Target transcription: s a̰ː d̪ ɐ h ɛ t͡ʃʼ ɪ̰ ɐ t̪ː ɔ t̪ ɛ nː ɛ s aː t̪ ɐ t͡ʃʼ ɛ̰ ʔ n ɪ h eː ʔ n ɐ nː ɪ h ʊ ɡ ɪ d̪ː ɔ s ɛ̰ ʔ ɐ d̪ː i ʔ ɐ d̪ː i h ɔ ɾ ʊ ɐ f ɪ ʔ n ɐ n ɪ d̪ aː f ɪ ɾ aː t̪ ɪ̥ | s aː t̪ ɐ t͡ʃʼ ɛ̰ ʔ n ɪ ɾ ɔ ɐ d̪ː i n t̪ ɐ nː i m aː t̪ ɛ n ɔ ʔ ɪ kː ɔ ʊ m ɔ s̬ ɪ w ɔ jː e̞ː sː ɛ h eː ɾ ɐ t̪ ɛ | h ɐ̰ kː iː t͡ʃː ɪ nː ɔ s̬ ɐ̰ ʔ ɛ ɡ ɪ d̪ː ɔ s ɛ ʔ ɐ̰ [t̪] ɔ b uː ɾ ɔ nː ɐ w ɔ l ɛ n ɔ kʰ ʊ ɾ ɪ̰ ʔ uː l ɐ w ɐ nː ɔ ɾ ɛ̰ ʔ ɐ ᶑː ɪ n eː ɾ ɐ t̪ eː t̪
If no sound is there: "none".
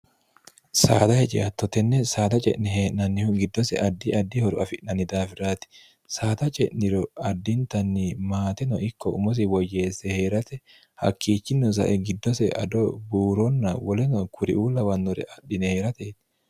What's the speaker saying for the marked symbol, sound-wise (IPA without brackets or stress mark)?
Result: d̪